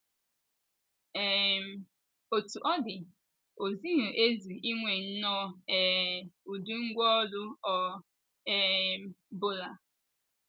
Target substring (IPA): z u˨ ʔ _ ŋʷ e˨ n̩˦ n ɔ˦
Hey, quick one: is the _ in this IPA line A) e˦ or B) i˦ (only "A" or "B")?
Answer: B